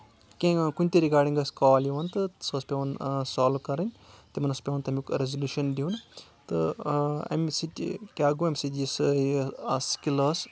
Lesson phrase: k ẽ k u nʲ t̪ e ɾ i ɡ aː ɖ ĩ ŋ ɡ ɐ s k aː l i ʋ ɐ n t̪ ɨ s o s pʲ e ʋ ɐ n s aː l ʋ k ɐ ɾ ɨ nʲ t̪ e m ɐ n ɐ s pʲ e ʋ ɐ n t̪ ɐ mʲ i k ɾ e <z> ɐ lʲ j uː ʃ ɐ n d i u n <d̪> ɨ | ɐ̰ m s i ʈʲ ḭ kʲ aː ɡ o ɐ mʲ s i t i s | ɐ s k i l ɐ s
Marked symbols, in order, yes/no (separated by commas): yes, no